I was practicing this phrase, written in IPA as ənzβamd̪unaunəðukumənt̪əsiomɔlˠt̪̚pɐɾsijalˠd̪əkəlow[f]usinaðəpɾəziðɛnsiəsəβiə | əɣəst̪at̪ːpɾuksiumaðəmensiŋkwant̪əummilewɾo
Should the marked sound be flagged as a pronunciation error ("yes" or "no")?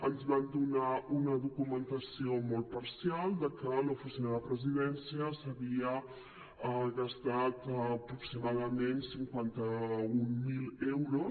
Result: no